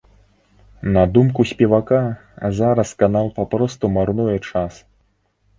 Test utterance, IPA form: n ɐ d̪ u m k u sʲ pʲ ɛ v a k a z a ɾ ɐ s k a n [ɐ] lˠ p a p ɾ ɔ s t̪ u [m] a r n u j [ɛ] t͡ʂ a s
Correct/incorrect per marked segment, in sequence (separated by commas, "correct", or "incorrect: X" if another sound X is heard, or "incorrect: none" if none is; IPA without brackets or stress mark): incorrect: a, correct, correct